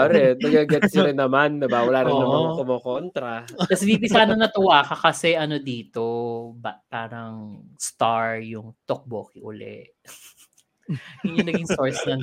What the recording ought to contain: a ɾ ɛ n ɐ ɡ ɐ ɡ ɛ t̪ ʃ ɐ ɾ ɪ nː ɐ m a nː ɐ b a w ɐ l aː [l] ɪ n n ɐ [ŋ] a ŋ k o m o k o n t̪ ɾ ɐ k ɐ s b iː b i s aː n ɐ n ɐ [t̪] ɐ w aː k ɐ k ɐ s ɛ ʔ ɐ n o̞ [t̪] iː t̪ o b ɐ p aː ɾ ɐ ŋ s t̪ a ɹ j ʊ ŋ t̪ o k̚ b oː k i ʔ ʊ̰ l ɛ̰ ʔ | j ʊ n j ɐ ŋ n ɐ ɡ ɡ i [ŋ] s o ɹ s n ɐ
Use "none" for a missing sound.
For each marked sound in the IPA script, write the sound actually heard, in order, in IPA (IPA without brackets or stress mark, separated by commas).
ɾ, m, t̪, d̪, ŋ